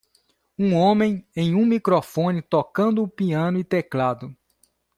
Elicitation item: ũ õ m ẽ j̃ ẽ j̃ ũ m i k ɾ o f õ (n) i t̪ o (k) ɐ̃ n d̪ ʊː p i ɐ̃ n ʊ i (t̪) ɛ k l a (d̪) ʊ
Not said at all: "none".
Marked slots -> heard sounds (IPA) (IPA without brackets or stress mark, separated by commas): n, k, t̪, d̪